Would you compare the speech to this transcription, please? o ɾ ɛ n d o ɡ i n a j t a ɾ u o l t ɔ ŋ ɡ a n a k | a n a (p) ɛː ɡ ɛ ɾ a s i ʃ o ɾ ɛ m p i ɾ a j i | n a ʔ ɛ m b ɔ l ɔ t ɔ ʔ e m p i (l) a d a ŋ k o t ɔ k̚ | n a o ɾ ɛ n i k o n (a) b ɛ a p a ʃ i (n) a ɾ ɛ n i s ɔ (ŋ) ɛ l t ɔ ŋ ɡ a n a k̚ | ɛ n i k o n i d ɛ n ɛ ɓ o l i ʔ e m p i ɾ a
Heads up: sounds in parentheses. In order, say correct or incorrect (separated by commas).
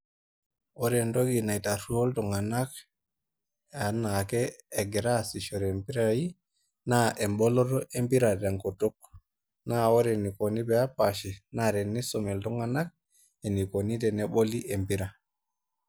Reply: incorrect, incorrect, incorrect, correct, incorrect